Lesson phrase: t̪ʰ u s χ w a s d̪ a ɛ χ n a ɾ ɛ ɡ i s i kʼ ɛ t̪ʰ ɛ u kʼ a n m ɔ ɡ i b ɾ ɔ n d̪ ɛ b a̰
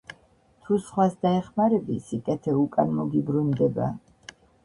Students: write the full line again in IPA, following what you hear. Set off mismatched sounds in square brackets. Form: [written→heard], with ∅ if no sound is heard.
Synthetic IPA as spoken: t̪ʰ u s χ w a s d̪ a ɛ χ [n→m] a ɾ ɛ [ɡ→b] i s i kʼ ɛ t̪ʰ ɛ u kʼ a n m ɔ ɡ i b ɾ [ɔ→u] n d̪ ɛ b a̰